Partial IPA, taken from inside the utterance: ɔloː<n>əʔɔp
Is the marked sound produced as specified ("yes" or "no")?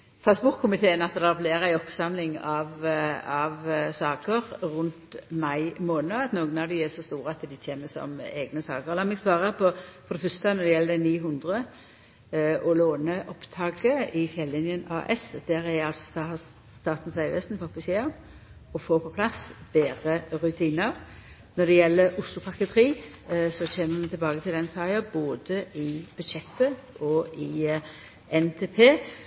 yes